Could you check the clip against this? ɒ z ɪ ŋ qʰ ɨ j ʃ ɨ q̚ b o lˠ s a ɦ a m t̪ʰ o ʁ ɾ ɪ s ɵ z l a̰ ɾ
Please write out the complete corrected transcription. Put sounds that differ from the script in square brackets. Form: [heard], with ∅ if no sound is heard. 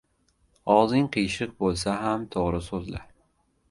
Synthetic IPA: ɒ z ɪ ŋ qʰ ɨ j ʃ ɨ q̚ b o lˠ s a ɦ a m t̪ʰ o ʁ ɾ ɪ s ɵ z l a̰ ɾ